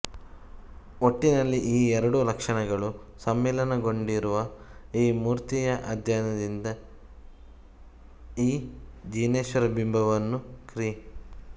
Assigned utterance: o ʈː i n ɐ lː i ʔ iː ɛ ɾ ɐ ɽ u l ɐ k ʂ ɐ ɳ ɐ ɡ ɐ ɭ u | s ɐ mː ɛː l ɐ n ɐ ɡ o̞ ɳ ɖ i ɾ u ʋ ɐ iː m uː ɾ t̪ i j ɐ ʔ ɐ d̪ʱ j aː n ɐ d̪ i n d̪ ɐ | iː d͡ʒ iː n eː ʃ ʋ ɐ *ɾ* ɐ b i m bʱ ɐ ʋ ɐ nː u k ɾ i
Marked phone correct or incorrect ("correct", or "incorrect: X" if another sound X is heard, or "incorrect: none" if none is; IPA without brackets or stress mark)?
correct